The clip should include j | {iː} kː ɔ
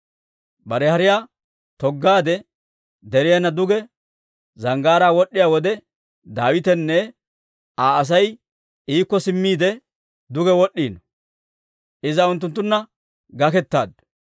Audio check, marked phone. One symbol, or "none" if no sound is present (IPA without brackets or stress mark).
iː